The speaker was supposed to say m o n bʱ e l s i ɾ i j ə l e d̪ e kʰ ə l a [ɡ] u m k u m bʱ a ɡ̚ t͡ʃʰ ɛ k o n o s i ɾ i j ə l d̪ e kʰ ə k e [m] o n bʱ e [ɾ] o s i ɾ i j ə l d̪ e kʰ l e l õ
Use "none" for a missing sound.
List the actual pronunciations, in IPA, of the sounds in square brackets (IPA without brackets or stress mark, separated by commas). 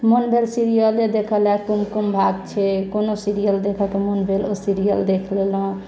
k, m, l